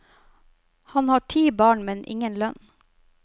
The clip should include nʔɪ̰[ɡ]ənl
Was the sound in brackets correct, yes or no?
no